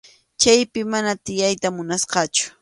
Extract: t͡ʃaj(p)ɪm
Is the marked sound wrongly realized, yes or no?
no